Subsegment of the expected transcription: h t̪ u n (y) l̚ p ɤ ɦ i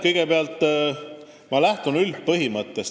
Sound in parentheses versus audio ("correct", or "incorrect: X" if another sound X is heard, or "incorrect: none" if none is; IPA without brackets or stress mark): correct